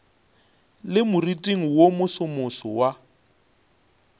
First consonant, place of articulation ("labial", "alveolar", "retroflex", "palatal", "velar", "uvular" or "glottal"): alveolar